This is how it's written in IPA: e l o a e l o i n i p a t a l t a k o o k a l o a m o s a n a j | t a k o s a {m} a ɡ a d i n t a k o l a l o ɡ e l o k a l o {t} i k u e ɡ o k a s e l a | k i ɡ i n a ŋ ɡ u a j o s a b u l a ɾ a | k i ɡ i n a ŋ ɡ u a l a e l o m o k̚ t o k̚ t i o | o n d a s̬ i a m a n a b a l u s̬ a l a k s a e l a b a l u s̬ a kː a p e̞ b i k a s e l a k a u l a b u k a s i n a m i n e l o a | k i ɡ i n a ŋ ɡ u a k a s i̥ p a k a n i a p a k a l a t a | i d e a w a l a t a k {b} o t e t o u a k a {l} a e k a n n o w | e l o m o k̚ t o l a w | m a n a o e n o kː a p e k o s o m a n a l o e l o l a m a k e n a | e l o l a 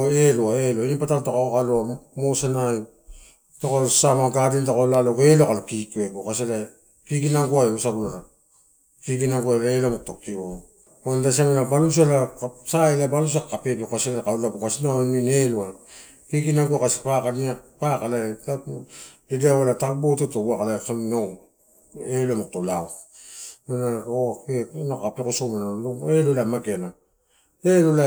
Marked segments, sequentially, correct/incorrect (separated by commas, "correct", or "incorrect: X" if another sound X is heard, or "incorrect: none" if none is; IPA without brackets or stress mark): correct, incorrect: k, correct, correct